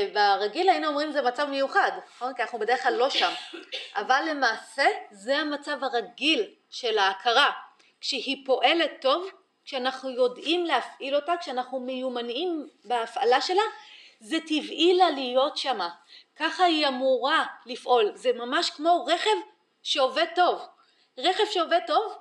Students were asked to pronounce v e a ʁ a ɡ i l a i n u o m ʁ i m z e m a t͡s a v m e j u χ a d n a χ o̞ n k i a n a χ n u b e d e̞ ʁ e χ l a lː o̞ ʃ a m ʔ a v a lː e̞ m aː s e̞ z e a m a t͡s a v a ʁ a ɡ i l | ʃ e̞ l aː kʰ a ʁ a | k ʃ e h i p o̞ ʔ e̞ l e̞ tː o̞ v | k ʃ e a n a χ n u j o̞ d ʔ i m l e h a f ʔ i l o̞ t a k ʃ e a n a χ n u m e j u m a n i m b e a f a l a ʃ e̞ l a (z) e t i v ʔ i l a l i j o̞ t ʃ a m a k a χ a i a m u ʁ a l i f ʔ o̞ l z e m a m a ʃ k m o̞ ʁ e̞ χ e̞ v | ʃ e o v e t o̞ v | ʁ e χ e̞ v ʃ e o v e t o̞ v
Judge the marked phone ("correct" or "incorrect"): correct